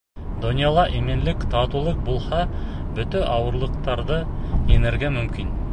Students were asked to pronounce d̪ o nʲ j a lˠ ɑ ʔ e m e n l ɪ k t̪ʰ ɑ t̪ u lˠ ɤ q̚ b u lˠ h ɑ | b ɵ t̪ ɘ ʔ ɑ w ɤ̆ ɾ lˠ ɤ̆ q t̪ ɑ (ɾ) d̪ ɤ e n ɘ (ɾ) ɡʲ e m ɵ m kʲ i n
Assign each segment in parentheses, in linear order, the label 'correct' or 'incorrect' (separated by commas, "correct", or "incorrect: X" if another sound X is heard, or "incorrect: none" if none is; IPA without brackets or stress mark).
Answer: correct, correct